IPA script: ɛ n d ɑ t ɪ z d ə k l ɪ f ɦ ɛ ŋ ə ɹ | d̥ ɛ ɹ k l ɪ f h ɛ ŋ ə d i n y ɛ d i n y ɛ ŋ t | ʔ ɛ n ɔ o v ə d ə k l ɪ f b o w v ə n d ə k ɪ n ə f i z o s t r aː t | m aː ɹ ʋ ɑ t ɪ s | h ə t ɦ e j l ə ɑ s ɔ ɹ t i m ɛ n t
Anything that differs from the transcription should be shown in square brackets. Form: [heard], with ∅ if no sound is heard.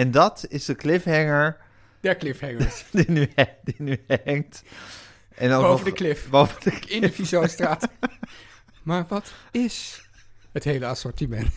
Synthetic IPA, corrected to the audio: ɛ n d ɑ t ɪ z d ə k l ɪ f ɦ ɛ ŋ ə ɹ | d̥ ɛ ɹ k l ɪ f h ɛ ŋ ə d i n y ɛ d i n y ɛ ŋ t | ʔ ɛ n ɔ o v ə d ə k l ɪ f b o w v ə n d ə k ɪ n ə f i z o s t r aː t | m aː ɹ ʋ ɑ t ɪ s | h ə t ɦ e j l ə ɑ s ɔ ɹ t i m ɛ n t